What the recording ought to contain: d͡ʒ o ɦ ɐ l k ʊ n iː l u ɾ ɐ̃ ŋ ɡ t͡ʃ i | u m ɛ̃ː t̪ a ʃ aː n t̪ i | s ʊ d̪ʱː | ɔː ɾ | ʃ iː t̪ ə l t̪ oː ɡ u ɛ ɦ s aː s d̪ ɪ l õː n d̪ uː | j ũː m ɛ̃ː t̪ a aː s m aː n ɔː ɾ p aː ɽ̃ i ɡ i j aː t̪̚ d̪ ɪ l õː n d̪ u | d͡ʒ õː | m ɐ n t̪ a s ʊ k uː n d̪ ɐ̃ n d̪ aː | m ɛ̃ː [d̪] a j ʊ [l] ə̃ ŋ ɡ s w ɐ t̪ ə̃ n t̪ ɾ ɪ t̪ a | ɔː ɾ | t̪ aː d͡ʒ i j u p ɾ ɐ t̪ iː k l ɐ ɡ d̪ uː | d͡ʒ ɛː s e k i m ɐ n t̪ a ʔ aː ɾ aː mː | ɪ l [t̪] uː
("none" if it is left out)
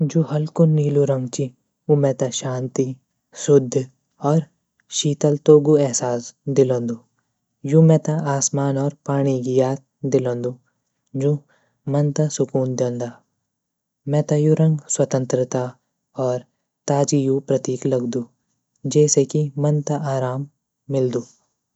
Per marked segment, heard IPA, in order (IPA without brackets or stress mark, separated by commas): t̪, ɾ, d̪